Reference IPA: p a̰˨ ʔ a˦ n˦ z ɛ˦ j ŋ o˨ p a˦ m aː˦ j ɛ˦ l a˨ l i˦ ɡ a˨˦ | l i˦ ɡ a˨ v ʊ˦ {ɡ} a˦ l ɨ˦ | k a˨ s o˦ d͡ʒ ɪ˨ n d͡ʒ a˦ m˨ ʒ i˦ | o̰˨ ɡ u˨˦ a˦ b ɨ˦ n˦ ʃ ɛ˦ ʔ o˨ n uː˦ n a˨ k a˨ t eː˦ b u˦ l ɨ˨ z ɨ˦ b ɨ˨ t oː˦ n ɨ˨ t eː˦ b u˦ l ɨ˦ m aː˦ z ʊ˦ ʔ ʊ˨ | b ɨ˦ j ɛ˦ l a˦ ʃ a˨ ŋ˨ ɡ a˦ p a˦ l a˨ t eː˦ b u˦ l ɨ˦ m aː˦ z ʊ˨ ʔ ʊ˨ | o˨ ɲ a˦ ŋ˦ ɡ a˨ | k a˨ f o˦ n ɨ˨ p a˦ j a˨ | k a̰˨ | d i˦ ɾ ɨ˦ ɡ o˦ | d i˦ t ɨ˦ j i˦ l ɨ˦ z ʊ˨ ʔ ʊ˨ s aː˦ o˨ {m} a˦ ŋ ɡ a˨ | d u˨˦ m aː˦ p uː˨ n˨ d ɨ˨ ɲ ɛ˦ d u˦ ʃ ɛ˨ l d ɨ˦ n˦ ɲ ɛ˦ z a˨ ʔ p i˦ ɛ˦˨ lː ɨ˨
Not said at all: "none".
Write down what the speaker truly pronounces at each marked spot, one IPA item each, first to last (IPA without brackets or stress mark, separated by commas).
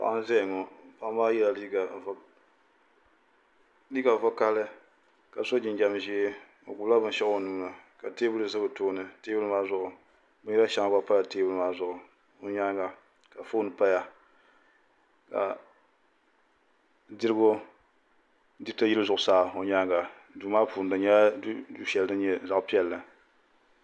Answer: k, ɲ